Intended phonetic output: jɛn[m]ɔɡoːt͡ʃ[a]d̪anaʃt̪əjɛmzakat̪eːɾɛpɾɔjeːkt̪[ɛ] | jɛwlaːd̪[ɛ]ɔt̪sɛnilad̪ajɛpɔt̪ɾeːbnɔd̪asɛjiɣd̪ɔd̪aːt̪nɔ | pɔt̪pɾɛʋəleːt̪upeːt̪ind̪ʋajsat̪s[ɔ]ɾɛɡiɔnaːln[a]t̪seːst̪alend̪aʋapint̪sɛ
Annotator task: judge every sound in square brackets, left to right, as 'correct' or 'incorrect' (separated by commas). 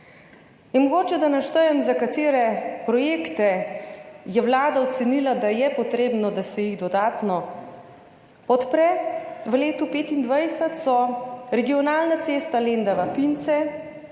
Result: correct, incorrect, correct, incorrect, correct, correct